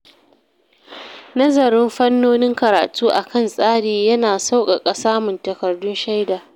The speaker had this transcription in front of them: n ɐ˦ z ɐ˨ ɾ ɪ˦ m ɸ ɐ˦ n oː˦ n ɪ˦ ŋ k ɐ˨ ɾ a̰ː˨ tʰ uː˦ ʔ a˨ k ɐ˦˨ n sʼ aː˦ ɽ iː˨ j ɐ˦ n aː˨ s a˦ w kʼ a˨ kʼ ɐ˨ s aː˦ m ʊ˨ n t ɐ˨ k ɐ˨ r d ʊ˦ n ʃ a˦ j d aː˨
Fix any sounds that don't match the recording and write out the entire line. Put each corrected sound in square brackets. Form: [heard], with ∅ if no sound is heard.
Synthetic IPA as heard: n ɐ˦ z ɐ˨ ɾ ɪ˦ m ɸ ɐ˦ [nː] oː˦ n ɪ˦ ŋ k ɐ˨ ɾ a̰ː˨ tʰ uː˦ ʔ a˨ k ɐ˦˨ n sʼ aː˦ ɽ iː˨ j ɐ˦ n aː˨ s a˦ w kʼ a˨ kʼ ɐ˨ s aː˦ m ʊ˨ n t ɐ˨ k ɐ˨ r d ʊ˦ n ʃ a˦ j d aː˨